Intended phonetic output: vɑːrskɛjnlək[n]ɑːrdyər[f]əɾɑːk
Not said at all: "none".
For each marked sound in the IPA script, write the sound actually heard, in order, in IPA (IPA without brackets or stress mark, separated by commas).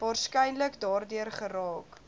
d, χ